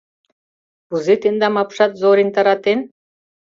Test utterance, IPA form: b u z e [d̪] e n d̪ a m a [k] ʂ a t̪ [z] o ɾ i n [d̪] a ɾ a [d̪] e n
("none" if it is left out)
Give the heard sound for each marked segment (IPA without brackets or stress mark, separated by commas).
t̪, p, z, t̪, t̪